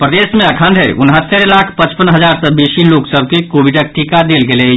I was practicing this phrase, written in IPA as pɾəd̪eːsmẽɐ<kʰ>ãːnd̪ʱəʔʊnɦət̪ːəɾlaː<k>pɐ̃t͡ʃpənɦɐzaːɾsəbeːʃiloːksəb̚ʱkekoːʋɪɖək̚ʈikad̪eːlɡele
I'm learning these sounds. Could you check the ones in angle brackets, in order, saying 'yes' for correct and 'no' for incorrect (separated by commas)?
yes, no